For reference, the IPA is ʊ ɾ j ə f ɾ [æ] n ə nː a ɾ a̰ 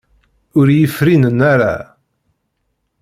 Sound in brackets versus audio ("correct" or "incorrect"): incorrect